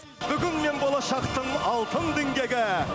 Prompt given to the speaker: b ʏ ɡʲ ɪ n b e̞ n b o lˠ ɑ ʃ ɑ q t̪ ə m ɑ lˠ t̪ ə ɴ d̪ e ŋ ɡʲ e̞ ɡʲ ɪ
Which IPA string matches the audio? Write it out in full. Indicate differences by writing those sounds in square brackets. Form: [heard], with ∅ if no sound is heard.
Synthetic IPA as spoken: b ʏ ɡʲ ɪ n [m] e̞ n b o lˠ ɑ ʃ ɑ q t̪ ə [ɴ] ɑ lˠ t̪ ə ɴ d̪ e ŋ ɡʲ e̞ ɡʲ ɪ